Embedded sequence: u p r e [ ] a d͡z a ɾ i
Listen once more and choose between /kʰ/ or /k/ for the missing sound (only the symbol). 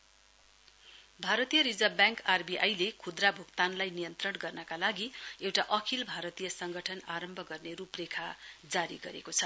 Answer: kʰ